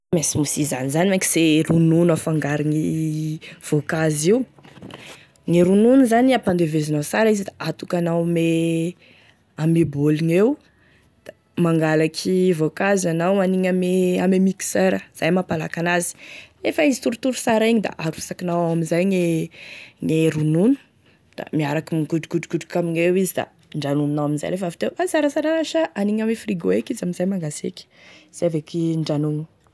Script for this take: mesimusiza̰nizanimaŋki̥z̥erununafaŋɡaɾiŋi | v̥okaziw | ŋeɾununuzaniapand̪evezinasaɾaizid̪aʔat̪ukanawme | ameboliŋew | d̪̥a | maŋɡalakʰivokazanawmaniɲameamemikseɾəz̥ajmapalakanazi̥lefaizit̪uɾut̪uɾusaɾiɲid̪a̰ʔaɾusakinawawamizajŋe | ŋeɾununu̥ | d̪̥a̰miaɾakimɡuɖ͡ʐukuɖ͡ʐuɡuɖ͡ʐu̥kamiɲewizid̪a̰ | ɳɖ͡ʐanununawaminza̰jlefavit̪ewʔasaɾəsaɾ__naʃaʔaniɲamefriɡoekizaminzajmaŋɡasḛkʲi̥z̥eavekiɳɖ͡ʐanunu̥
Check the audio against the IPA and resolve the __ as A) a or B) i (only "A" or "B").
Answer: A